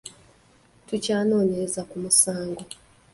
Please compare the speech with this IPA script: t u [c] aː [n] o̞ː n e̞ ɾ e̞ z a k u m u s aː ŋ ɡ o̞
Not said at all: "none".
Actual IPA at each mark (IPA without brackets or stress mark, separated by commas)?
c, n